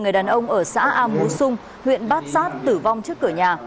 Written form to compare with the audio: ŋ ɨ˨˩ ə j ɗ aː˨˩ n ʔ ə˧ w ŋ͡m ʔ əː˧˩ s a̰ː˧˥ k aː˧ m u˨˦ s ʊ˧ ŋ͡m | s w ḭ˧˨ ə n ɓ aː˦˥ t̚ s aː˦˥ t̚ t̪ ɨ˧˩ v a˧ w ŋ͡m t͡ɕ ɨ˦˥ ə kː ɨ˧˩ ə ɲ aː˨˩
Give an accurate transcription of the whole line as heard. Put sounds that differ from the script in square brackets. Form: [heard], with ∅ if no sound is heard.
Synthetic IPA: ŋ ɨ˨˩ ə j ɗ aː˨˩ n ʔ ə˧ w ŋ͡m ʔ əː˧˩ s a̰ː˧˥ [ʔ] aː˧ m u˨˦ s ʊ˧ ŋ͡m | [h] w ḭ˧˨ ə n ɓ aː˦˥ t̚ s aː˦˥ t̚ t̪ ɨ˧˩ v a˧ w ŋ͡m t͡ɕ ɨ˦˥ ə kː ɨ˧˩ ə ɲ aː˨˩